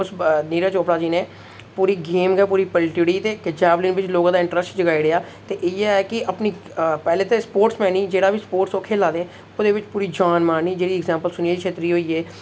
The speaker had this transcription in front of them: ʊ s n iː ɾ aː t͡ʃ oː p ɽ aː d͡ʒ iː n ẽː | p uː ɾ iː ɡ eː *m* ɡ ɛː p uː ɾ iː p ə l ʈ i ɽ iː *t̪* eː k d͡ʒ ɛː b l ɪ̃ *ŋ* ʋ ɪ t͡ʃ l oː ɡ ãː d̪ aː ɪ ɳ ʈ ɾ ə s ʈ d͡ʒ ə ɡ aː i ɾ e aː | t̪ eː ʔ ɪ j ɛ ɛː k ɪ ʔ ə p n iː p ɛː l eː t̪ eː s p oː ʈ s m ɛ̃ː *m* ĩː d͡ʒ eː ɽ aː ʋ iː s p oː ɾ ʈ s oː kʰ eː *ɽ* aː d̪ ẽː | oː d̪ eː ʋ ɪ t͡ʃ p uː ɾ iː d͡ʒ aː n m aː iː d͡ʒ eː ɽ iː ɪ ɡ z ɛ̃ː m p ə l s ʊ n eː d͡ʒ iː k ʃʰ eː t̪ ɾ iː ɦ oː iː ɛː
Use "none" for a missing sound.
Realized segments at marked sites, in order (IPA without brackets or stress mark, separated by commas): m, t̪, n, n, l